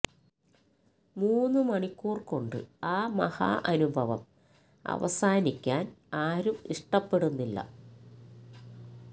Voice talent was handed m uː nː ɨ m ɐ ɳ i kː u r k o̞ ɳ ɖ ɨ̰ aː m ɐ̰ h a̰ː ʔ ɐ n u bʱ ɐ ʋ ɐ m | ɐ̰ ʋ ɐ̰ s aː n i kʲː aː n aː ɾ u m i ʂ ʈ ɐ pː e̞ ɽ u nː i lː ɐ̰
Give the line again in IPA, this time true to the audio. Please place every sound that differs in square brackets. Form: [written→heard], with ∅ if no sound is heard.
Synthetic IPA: m uː nː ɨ m ɐ ɳ i kː [u→uː] r k o̞ ɳ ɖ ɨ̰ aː m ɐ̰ h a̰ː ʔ ɐ n u bʱ ɐ ʋ ɐ m | ɐ̰ ʋ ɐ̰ s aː n i kʲː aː n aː ɾ u m i ʂ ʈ ɐ pː e̞ ɽ u nː i lː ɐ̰